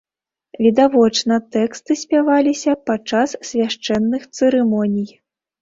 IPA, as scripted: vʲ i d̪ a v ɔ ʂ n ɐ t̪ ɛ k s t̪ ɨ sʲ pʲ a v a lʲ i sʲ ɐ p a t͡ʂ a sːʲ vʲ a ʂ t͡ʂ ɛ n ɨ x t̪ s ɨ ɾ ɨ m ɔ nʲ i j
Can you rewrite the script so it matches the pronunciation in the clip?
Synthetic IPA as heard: vʲ i d̪ a v ɔ t͡ʂ n ɐ t̪ ɛ k s t̪ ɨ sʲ pʲ a v a lʲ i sʲ ɐ p a t͡ʂ a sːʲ vʲ a ʂ t͡ʂ ɛ nː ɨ x t̪ s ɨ ɾ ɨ m ɔ nʲ i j

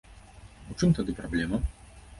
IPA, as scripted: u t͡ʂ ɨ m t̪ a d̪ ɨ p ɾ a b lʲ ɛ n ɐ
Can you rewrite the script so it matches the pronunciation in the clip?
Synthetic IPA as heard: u t͡ʂ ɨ m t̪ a d̪ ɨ p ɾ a b lʲ ɛ m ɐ

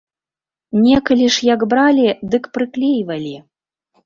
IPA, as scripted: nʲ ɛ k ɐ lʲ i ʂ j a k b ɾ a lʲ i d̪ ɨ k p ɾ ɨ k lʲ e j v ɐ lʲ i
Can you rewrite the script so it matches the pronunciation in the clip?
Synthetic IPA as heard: nʲ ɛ k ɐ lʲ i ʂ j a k b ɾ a lʲ i d̪ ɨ k p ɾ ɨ k lʲ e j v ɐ lʲ i

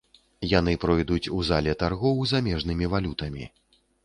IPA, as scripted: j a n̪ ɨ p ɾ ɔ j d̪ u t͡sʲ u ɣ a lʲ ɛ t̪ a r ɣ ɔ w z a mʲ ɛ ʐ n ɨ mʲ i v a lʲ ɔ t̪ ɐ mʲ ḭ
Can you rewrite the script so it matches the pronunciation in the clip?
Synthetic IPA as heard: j a n̪ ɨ p ɾ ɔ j d̪ u t͡sʲ u z a lʲ ɛ t̪ a r ɣ ɔ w z a mʲ ɛ ʐ n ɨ mʲ i v a lʲ u t̪ ɐ mʲ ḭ

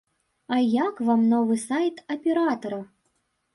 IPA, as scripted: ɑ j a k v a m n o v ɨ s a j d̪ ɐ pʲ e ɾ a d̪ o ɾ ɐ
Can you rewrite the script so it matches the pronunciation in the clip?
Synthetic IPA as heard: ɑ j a k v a m n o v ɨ s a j t̪ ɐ pʲ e ɾ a t̪ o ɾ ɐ

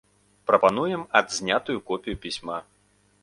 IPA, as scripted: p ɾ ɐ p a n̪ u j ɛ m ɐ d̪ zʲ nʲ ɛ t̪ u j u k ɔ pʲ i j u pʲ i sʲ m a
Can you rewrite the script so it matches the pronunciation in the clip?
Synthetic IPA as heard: p ɾ ɐ p a n̪ u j ɛ m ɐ d̪ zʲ nʲ a t̪ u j u k ɔ pʲ i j u pʲ i sʲ m a

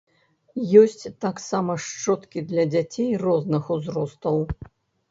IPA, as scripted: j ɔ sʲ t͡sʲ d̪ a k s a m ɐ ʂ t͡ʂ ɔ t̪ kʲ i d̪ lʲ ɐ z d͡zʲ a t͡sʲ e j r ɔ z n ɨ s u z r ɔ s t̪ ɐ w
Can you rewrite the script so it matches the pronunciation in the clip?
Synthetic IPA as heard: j ɔ sʲ t͡sʲ t̪ a k s a m ɐ ʂ t͡ʂ ɔ t̪ kʲ i d̪ lʲ ɐ d͡zʲ a t͡sʲ e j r ɔ z n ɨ x u z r ɔ s t̪ ɐ w

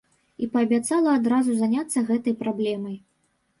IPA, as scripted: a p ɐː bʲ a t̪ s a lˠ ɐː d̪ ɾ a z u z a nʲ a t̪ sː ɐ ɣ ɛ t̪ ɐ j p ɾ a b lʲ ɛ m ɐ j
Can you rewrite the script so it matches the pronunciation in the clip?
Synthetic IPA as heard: i p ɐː bʲ a t̪ s a lˠ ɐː d̪ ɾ a z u z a nʲ a t̪ sː ɐ ɣ ɛ t̪ ɐ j p ɾ a b lʲ ɛ m ɐ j

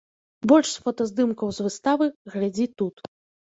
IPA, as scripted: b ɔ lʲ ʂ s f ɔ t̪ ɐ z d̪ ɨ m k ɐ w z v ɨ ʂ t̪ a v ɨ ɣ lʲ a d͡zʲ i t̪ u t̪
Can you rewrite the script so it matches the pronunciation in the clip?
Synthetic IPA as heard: b ɔ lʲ ʂ s f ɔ t̪ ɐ z d̪ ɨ m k ɐ w z v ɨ s t̪ a v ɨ ɣ lʲ a d͡zʲ i t̪ u t̪

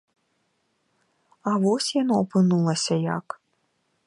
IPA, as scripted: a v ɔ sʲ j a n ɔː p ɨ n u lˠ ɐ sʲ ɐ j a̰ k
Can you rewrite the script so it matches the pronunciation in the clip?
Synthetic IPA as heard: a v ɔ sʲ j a n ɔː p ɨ n u lˠ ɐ sʲ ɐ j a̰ k

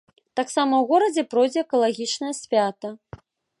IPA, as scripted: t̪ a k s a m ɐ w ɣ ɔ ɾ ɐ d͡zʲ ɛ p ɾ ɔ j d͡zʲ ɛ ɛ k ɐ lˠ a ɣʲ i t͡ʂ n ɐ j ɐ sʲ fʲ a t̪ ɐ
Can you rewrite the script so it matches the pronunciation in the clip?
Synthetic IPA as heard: t̪ a k s a m ɐ w ɣ ɔ ɾ ɐ d͡zʲ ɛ p ɾ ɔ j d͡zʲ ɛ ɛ k ɐ lˠ a ɣʲ i t͡ʂ n ɐ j ɐ sʲ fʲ a t̪ ɐ

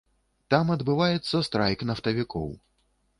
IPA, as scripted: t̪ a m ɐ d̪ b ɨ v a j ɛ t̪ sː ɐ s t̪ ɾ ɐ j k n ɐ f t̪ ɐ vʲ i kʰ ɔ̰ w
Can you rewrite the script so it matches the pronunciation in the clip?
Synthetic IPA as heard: t̪ a m ɐ d̪ b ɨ v a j ɛ t̪ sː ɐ s t̪ ɾ a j k n ɐ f t̪ ɐ vʲ i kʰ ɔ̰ w

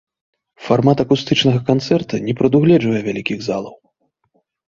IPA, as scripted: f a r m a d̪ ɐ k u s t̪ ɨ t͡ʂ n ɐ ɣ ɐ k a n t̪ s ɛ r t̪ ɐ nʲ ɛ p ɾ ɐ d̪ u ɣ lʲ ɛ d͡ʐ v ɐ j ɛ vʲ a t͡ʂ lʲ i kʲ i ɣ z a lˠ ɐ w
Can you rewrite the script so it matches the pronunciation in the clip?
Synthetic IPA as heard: f a r m a t̪ ɐ k u s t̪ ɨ t͡ʂ n ɐ ɣ ɐ k a n t̪ s ɛ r t̪ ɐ nʲ ɛ p ɾ ɐ d̪ u ɣ lʲ ɛ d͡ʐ v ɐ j ɛ vʲ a lʲ i kʲ i ɣ z a lˠ ɐ w

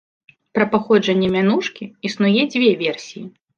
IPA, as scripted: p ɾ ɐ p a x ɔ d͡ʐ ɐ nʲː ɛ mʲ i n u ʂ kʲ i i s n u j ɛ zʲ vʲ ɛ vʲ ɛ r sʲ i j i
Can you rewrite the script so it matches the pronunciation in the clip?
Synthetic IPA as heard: p ɾ ɐ p a x ɔ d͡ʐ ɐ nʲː ɛ mʲ a n u ʂ kʲ i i s n u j ɛ d͡zʲ vʲ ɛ vʲ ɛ r sʲ i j i

